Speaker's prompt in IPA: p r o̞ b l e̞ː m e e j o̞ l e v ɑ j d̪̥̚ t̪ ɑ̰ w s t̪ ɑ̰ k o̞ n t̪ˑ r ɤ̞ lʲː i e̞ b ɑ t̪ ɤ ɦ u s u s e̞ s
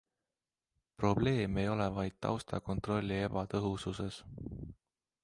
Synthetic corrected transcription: p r o̞ b l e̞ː m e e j o̞ l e v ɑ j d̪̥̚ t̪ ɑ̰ w s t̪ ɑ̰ k o̞ n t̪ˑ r o̞ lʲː i e̞ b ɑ t̪ ɤ ɦ u s u s e̞ s

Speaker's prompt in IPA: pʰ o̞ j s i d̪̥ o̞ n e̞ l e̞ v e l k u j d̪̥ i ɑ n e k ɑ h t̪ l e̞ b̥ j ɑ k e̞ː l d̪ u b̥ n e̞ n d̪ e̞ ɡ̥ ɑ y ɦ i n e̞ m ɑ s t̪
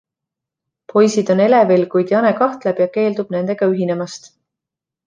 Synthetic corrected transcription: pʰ o̞ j s i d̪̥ o̞ n e̞ l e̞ v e l k u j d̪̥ j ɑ n e k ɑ h t̪ l e̞ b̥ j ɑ k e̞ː l d̪ u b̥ n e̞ n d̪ e̞ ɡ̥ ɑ y ɦ i n e̞ m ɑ s t̪

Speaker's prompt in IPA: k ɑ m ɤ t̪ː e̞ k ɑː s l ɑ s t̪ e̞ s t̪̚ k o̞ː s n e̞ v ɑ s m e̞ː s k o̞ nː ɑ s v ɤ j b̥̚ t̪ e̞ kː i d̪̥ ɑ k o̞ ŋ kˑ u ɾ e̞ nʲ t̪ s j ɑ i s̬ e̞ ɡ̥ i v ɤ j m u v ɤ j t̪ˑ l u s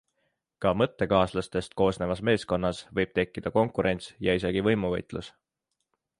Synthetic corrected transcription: k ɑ m ɤ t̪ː e̞ k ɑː s l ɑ s t̪ e̞ s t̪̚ k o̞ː s n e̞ v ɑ s m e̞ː s k o̞ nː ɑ s v ɤ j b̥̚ t̪ e̞ kː i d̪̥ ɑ k o̞ ŋ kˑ u ɾ e̞ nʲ t̪ s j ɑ i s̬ e̞ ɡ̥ i v ɤ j m u v ɤ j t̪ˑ l u s

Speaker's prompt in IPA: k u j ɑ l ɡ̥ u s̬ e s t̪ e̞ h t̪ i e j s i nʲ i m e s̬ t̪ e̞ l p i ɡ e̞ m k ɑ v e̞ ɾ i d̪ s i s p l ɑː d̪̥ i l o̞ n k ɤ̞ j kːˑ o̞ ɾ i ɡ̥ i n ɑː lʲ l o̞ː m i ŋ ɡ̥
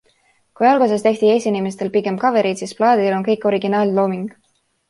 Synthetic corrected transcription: k u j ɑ l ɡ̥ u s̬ e s t̪ e̞ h t̪ i e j s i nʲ i m e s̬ t̪ e̞ l p i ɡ e̞ m k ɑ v e̞ ɾ i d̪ s i s p l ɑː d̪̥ i l o̞ n k ɤ̞ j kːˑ o̞ ɾ i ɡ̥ i n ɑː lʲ l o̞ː m i ŋ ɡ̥

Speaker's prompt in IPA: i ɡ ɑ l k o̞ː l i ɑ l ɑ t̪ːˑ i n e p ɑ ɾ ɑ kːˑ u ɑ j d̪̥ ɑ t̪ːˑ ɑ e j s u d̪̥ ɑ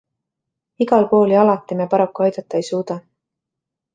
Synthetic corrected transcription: i ɡ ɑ l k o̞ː l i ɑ l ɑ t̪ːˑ i m e p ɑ ɾ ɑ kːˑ u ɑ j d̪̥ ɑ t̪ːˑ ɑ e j s uː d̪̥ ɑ

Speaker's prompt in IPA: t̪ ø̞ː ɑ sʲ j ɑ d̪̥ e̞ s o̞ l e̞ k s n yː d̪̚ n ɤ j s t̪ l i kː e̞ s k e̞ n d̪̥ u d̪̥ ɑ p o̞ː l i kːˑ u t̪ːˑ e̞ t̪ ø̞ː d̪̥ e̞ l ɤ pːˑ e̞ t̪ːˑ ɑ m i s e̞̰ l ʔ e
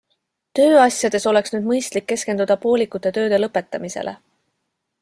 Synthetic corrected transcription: t̪ ø̞ː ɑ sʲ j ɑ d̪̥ e̞ s o̞ l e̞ k s n yː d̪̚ m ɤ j s t̪ l i kː e̞ s k e̞ n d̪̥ u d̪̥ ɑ p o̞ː l i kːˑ u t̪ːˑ e̞ t̪ ø̞ː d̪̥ e̞ l ɤ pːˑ e̞ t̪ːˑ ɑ m i s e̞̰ l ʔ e

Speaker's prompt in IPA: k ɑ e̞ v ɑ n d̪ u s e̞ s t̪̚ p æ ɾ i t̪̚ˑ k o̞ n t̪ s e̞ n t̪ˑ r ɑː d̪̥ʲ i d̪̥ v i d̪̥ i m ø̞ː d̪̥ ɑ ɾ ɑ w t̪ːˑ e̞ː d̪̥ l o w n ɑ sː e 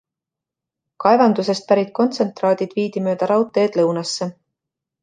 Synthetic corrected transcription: k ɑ e̞ v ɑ n d̪ u s e̞ s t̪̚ p æ ɾ i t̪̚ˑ k o̞ n t̪ s e̞ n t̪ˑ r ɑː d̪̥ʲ i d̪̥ v iː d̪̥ i m ø̞ː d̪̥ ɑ ɾ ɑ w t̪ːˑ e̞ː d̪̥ l ɤ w n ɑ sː e

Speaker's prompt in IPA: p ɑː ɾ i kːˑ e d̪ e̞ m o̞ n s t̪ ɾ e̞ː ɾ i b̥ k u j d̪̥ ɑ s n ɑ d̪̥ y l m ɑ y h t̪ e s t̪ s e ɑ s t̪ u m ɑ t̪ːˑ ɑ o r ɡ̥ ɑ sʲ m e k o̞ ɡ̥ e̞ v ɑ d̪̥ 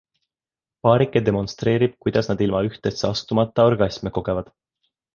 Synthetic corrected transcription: p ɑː ɾ i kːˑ e d̪ e̞ m o̞ n s t̪ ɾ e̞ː ɾ i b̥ k u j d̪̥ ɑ s n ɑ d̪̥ i l m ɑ y h t̪ e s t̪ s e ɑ s t̪ u m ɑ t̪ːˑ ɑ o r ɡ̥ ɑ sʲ m e k o̞ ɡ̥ e̞ v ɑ d̪̥

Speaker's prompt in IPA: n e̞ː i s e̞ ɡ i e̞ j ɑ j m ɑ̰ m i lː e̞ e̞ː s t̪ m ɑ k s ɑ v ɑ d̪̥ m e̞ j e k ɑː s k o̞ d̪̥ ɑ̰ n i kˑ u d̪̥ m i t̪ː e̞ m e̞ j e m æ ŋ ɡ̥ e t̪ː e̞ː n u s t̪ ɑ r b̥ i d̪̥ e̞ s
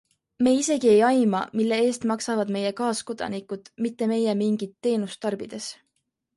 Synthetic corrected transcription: m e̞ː i s e̞ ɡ i e̞ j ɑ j m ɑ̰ m i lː e̞ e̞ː s t̪ m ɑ k s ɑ v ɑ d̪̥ m e̞ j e k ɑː s k o̞ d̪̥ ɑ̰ n i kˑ u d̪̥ m i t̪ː e̞ m e̞ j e m i ŋ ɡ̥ i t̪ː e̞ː n u s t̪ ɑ r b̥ i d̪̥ e̞ s

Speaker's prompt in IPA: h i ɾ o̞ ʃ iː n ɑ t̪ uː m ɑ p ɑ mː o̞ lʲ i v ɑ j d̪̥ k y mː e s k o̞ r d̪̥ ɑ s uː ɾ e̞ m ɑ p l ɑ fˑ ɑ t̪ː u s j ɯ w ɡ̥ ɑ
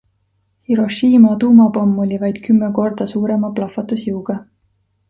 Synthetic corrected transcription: h i ɾ o̞ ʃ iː m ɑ t̪ uː m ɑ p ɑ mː o̞ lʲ i v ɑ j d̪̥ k y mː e k o̞ r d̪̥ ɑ s uː ɾ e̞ m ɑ p l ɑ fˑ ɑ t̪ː u s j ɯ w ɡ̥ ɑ

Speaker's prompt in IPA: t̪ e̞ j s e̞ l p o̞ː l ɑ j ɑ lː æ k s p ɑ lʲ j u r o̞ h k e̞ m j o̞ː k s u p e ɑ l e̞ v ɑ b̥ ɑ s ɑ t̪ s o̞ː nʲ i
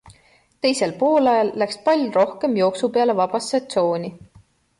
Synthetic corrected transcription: t̪ e̞ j s e̞ l p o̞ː l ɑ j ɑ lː æ k s p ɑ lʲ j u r o̞ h k e̞ m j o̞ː k s u p e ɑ l e̞ v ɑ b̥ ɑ s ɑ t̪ s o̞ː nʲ i

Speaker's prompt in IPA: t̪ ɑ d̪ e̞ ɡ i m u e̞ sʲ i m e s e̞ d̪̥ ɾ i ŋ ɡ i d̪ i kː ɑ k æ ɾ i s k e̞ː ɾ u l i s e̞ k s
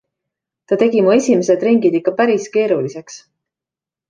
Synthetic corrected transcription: t̪ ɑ t̪ e̞ ɡ i m u e̞ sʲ i m e s e̞ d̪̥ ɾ i ŋ ɡ i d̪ i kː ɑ p æ ɾ i s k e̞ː ɾ u l i s e̞ k s

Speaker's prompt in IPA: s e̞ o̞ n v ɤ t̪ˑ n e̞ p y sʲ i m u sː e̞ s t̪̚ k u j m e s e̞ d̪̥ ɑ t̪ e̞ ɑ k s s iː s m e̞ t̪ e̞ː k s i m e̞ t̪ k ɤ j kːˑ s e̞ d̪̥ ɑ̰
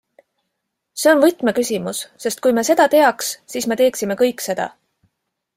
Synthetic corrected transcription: s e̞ o̞ n v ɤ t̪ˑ m e̞ k y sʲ i m u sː e̞ s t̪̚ k u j m e s e̞ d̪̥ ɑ t̪ e̞ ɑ k s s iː s m e̞ t̪ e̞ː k s i m e̞ k ɤ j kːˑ s e̞ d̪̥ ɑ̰

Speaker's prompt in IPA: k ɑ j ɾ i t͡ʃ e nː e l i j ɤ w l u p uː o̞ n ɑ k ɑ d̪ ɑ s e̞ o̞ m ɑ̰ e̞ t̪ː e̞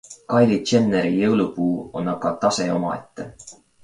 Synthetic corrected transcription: k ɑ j l i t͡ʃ e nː e ɾ i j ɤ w l u p uː o̞ n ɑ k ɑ t̪ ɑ s e̞ o̞ m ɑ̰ e̞ t̪ː e̞

